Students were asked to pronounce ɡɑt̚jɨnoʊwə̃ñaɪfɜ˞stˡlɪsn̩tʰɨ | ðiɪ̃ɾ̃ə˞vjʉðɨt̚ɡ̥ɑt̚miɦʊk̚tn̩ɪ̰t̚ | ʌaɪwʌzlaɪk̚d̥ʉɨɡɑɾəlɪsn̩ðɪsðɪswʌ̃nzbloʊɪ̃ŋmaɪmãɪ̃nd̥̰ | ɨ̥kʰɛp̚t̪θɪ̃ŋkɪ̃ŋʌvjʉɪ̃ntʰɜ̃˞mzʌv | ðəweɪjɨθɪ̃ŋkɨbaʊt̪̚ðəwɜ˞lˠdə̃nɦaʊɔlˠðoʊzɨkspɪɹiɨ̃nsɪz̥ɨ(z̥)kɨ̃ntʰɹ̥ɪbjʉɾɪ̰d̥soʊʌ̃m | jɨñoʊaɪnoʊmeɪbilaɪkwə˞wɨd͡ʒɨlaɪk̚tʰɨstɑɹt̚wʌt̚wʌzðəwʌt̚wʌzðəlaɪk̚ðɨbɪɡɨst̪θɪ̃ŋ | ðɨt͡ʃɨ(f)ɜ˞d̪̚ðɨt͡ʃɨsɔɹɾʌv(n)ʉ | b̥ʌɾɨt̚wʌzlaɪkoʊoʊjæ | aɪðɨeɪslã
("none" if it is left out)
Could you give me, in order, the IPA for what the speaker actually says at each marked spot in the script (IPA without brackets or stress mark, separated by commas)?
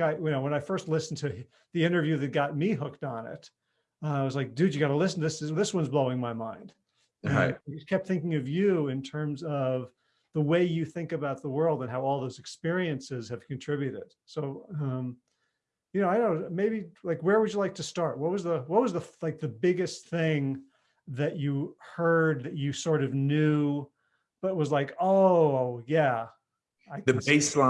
v̥, h, n